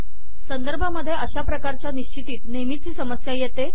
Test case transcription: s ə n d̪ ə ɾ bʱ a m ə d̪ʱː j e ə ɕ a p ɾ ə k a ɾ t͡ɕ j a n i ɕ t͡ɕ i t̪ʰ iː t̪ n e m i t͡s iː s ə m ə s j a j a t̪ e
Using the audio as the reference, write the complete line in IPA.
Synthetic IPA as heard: s ə n d̪ ə ɾ bʱ a m ə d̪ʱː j e ə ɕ a p ɾ ə k a ɾ t͡ɕ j a n i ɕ t͡ɕ i t̪ iː t̪ n e m i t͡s iː s ə m ə s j a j e t̪ e

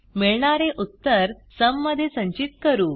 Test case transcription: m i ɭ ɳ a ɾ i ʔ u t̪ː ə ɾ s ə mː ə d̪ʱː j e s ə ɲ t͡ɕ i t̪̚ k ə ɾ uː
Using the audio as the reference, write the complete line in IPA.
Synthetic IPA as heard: m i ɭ ɳ a ɾ e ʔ u t̪ː ə ɾ s ə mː ə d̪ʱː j e s ə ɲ t͡ɕ i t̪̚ k ə ɾ uː

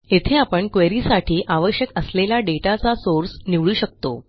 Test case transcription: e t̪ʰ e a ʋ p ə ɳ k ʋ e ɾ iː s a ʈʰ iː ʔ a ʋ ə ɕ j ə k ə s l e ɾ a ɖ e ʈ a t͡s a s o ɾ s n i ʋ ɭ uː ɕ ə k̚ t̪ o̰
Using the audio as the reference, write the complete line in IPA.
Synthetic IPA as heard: e t̪ʰ e a p ə ɳ k ʋ e ɾ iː s a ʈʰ iː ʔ a ʋ ə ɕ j ə k ə s l e l a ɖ e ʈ a t͡s a s o ɾ s n i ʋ ɭ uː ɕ ə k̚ t̪ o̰

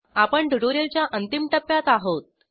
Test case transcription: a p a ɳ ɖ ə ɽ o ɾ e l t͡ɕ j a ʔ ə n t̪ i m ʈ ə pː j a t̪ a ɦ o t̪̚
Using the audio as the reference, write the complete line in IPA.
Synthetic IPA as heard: a p ə ɳ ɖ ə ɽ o ɾ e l t͡ɕ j a ʔ ə n t̪ i m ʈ ə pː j a t̪ a ɦ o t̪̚

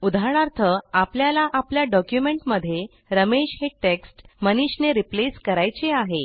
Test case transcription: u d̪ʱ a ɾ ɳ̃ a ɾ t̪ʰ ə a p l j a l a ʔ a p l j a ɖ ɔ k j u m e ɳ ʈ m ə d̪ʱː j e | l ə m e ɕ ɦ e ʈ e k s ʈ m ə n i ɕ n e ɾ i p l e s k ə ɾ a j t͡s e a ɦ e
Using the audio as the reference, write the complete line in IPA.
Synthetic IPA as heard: u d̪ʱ a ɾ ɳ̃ a ɾ t̪ʰ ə a p l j a l a ʔ a p l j a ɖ ɔ k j u m e ɳ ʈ m ə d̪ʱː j e | ɾ ə m e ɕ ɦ e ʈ e k s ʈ m ə n i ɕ n e ɾ i p l e s k ə ɾ a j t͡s e a ɦ e

